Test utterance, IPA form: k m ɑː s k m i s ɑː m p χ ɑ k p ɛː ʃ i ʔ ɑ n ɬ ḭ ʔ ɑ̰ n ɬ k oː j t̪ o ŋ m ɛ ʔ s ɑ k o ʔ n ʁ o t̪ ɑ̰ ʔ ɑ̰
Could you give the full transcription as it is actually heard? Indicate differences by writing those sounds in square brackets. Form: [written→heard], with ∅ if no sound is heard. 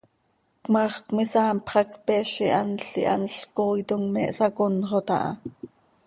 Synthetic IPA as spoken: k m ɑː [s→χ] k m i s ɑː m p χ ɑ k p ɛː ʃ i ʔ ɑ n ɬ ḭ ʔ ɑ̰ n ɬ k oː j t̪ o ŋ m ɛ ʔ s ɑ k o [ʔ→∅] n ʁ o t̪ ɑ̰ ʔ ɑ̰